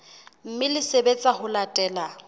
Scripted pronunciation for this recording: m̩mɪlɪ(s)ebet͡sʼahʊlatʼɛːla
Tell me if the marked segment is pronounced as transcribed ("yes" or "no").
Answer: yes